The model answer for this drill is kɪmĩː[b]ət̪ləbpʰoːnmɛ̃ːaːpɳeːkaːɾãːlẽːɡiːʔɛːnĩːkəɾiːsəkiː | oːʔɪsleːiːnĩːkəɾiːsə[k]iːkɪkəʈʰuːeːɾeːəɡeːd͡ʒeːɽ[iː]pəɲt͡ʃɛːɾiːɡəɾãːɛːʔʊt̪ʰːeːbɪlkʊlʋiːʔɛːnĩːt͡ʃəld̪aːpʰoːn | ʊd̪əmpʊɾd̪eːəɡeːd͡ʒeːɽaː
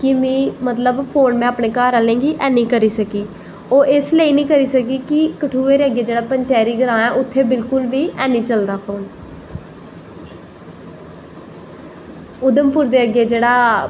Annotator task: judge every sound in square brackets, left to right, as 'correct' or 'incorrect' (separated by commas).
incorrect, correct, incorrect